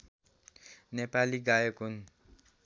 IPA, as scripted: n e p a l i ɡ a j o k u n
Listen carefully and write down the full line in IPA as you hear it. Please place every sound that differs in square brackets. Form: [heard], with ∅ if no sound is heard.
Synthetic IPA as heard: n e p a l i ɡ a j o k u n